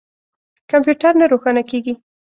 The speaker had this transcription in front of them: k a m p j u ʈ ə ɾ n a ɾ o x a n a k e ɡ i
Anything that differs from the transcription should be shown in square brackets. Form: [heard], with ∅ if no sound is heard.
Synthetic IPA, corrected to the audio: k a m p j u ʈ [a] ɾ n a ɾ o x a n a k e ɡ i